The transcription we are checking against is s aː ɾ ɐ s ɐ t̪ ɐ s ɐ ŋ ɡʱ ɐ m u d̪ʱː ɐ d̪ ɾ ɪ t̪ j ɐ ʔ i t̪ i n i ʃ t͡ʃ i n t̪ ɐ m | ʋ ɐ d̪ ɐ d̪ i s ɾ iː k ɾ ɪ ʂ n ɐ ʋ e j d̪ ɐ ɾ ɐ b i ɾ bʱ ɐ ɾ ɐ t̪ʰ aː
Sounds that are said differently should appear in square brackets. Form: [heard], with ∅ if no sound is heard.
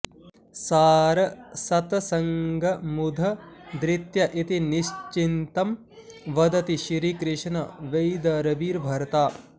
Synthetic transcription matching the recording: s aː ɾ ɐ s ɐ t̪ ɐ s ɐ ŋ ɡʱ ɐ m u [d̪ʱ] ɐ d̪ ɾ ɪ t̪ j ɐ ʔ i t̪ i n i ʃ t͡ʃ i n t̪ ɐ m | ʋ ɐ d̪ ɐ [t̪] i [ʃ] ɾ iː k ɾ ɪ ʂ n ɐ ʋ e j d̪ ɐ ɾ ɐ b [iː] ɾ bʱ ɐ ɾ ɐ [t̪] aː

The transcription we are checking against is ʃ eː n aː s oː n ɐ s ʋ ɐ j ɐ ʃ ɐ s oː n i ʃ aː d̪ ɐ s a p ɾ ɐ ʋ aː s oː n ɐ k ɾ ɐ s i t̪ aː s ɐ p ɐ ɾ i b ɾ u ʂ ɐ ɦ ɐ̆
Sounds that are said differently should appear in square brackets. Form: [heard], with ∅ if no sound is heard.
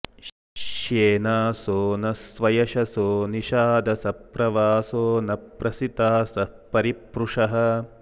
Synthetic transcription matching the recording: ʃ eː n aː s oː n ɐ s ʋ ɐ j ɐ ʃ ɐ s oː n i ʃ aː d̪ ɐ s [ɐ] p ɾ ɐ ʋ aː s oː n ɐ [p] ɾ ɐ s i t̪ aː s ɐ p ɐ ɾ i [p] ɾ u ʂ ɐ ɦ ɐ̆

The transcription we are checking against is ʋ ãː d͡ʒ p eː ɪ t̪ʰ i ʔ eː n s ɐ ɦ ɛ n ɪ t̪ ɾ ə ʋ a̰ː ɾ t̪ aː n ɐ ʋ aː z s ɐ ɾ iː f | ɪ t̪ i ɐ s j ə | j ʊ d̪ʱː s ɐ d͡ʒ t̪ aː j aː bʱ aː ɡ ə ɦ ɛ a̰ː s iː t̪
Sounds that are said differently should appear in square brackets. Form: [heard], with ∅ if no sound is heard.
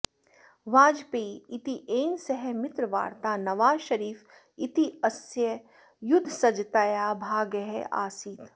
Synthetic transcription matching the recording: ʋ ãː d͡ʒ p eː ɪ [t̪] i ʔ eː n s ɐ ɦ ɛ [m] ɪ t̪ ɾ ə ʋ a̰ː ɾ t̪ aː n ɐ ʋ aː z [ʃ] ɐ ɾ iː f | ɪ t̪ i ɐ s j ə | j ʊ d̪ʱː s ɐ d͡ʒ t̪ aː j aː bʱ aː ɡ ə ɦ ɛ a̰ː s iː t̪

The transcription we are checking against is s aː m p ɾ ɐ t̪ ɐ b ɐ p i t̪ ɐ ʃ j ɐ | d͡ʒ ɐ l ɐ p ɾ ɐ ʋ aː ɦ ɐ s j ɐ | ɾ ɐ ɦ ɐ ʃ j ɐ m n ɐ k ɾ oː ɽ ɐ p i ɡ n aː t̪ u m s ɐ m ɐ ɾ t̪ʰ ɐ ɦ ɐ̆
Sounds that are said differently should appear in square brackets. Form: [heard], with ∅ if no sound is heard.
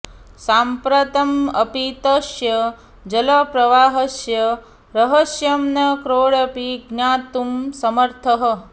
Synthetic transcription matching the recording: s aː m p ɾ ɐ t̪ ɐ [m] ɐ p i t̪ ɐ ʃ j ɐ | d͡ʒ ɐ l ɐ p ɾ ɐ ʋ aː ɦ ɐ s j ɐ | ɾ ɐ ɦ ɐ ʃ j ɐ m n ɐ k ɾ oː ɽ ɐ p i ɡ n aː t̪ u m s ɐ m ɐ ɾ t̪ʰ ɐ ɦ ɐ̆

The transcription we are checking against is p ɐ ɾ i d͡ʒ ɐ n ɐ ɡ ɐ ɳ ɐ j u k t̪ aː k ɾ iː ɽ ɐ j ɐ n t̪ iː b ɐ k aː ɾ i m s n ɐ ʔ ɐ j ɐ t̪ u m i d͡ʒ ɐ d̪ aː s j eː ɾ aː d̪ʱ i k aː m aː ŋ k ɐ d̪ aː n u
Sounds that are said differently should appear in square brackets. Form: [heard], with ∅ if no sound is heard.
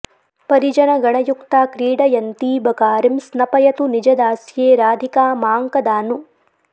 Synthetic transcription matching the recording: p ɐ ɾ i d͡ʒ ɐ n ɐ ɡ ɐ ɳ ɐ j u k t̪ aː k ɾ iː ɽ ɐ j ɐ n t̪ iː b ɐ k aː ɾ i m s n ɐ [p] ɐ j ɐ t̪ u [n] i d͡ʒ ɐ d̪ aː s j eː ɾ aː d̪ʱ i k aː m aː ŋ k ɐ d̪ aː n u

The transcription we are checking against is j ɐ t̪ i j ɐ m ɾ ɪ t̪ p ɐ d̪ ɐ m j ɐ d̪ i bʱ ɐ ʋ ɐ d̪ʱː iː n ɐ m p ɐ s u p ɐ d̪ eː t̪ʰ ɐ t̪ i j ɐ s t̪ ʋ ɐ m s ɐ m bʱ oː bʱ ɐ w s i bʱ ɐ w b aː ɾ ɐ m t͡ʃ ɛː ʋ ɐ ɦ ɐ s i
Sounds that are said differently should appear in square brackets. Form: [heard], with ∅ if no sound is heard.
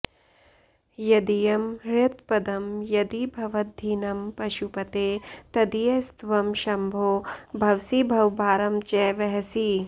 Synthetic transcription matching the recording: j ɐ [d̪] i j ɐ m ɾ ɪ t̪ p ɐ d̪ ɐ m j ɐ d̪ i bʱ ɐ ʋ ɐ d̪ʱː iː n ɐ m p ɐ [ʃ] u p ɐ [t̪] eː [t̪] ɐ [d̪] i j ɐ s t̪ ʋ ɐ m [ʃ] ɐ m bʱ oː bʱ ɐ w s i bʱ ɐ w b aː ɾ ɐ m t͡ʃ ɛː ʋ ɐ ɦ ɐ s i

